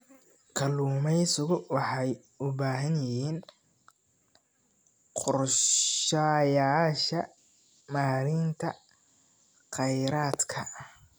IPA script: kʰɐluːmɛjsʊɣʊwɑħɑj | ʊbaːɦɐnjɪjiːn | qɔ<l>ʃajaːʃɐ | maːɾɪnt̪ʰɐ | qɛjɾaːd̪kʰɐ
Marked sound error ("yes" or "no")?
yes